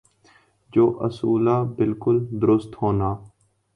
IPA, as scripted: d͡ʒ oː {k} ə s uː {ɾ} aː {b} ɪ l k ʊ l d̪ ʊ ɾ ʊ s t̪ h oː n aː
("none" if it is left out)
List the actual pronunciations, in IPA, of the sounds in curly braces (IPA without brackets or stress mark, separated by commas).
ʔ, l, b